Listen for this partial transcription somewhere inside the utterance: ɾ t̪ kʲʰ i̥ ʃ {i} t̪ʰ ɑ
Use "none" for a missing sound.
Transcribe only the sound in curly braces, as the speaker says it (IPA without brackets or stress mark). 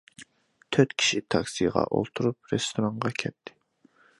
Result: i